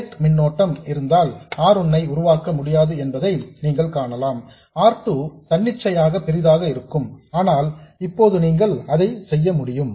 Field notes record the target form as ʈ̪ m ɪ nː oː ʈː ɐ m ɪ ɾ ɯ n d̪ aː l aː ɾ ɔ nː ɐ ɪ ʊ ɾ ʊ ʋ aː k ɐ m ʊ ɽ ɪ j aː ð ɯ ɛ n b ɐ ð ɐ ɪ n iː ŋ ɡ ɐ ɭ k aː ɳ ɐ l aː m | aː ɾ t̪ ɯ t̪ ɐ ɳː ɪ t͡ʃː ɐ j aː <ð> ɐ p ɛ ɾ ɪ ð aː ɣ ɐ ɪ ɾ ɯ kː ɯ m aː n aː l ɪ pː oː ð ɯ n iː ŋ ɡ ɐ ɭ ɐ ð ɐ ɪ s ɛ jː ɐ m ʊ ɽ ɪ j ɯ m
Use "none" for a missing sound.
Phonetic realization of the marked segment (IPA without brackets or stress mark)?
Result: ɣ